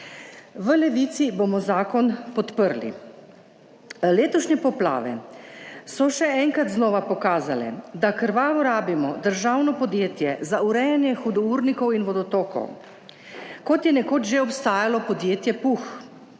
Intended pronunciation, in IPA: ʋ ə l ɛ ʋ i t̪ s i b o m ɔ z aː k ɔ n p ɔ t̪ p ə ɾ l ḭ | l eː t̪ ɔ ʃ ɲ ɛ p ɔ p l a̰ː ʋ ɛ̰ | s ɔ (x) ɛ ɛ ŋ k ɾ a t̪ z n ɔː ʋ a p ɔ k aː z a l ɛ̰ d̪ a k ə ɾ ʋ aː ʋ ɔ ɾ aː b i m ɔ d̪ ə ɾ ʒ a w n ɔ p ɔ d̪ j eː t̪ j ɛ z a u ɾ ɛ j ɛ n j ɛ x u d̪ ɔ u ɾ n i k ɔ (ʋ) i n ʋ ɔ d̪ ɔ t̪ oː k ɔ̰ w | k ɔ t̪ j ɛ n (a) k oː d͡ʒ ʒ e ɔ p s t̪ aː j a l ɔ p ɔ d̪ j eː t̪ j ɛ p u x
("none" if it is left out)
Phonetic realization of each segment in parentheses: ʃ, w, ɛ

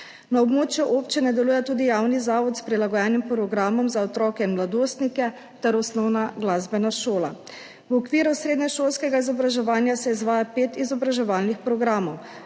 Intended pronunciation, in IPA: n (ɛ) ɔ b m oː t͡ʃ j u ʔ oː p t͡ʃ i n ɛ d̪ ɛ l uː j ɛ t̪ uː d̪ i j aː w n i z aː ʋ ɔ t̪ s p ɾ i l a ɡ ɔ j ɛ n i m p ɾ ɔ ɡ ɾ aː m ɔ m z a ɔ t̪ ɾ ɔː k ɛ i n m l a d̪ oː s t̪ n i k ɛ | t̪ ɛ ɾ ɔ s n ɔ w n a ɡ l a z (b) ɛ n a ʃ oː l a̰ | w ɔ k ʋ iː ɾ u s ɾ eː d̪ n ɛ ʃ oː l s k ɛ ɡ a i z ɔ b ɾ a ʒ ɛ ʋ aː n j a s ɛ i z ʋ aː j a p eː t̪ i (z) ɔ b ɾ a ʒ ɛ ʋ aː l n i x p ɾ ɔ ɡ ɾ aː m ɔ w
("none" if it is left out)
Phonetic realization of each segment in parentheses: a, b, z

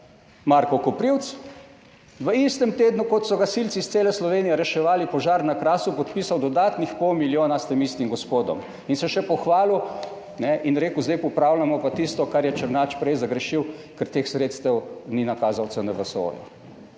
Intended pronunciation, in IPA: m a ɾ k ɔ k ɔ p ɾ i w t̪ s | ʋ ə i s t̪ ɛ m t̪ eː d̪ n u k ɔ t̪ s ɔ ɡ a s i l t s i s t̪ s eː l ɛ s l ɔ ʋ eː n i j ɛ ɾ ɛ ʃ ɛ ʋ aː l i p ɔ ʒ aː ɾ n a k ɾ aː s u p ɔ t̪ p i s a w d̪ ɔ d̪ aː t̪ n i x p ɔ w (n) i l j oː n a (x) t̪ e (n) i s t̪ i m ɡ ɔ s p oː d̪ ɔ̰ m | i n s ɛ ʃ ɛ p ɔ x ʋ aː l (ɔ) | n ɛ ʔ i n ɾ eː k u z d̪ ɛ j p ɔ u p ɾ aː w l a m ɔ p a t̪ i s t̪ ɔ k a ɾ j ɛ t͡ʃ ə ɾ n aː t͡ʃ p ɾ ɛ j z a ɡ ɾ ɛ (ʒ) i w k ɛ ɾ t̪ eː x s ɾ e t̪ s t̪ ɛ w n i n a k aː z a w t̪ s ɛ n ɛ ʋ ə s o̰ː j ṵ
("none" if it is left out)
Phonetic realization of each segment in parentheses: m, s, m, u, ʃ

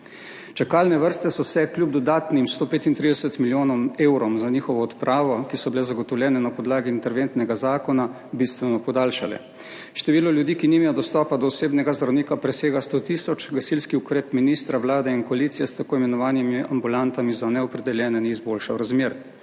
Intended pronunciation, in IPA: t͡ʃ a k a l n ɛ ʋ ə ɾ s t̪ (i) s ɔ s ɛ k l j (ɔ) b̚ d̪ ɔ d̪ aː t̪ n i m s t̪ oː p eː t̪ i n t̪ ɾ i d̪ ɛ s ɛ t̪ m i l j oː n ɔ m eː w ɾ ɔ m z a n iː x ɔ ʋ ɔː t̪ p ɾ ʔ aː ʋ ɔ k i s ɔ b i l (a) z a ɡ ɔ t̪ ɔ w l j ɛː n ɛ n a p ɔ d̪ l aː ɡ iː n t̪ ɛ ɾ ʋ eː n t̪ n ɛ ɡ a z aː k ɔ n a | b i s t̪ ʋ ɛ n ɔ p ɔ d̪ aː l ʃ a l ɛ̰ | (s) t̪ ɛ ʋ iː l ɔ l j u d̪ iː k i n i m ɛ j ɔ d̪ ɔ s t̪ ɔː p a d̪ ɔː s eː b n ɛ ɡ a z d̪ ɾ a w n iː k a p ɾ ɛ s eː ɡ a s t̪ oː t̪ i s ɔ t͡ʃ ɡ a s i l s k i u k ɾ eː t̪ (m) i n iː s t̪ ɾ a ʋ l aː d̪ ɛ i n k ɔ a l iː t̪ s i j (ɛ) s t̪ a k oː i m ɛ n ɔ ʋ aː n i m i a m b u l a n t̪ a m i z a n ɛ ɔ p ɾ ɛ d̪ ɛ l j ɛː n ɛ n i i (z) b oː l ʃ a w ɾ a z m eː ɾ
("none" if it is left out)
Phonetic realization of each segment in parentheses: ɛ, u, ɛ, ʃ, m, ɛ, z

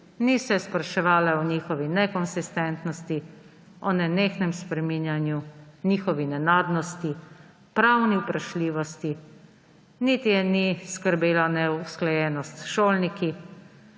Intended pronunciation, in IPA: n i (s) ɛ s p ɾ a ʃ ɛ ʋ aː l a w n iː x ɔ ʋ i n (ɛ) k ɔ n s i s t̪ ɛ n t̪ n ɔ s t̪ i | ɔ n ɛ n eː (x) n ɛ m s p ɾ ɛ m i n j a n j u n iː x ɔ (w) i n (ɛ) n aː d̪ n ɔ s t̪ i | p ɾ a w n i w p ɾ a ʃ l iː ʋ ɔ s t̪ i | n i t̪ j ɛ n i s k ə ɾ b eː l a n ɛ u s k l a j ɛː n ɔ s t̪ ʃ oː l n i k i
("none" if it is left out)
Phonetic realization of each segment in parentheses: s, ɛ, x, ʋ, ɛ

